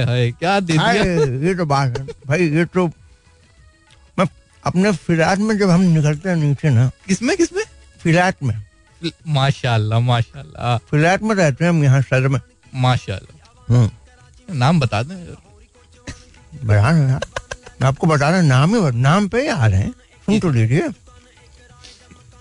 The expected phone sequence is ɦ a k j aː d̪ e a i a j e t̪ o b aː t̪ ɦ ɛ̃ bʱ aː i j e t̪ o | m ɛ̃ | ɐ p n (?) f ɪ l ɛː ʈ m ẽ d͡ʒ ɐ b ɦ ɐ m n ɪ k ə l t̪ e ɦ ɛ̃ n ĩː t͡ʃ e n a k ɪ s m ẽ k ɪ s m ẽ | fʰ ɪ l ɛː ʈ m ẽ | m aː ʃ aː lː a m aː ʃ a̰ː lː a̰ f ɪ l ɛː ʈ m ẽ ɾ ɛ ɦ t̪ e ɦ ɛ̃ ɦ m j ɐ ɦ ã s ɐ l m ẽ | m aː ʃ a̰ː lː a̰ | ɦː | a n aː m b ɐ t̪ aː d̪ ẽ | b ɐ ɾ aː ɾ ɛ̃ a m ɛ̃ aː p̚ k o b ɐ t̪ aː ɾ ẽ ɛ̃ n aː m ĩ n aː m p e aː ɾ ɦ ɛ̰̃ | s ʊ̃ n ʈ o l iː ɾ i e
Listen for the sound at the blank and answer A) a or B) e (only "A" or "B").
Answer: B